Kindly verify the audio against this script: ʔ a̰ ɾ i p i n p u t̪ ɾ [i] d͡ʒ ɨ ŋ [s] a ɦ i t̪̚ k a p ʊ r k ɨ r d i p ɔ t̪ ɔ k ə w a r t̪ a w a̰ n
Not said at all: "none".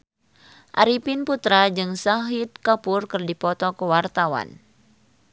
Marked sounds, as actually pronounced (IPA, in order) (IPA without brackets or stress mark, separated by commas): a, s